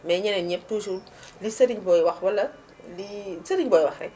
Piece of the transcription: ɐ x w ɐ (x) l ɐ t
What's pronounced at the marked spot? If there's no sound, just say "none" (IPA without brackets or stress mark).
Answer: none